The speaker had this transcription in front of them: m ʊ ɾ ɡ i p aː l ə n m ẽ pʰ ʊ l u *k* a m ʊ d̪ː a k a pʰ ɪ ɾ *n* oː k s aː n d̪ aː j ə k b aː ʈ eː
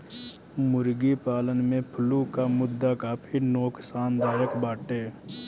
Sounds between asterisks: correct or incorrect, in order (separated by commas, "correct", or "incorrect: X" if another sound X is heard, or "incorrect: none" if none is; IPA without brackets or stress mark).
correct, correct